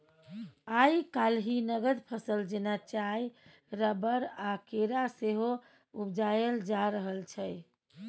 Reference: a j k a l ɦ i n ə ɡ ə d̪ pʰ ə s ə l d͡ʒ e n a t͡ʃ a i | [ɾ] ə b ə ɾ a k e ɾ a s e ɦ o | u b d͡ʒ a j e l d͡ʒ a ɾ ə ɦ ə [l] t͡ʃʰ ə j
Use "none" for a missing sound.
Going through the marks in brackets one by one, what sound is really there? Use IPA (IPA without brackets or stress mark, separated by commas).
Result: ɾ, l